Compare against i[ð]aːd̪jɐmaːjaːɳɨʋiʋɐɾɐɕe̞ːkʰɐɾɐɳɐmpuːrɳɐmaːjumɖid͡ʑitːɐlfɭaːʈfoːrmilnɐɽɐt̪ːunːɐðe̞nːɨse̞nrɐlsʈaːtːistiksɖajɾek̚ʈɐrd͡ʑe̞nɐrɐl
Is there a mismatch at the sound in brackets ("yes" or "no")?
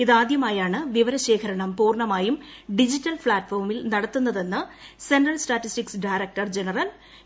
no